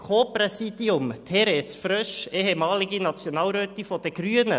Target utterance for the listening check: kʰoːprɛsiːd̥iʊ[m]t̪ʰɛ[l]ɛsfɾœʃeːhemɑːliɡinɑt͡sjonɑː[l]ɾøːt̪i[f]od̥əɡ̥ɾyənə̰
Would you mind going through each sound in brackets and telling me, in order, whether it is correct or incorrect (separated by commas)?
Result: correct, incorrect, correct, correct